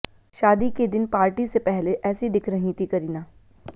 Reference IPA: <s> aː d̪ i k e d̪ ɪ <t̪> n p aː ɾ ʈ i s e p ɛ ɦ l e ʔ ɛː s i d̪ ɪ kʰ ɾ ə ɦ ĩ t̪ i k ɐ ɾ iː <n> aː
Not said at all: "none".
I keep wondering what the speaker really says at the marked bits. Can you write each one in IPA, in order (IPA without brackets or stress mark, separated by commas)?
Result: ʃ, none, n